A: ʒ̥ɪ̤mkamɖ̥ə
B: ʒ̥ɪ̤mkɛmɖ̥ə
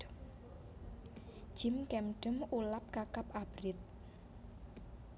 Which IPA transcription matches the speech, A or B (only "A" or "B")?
B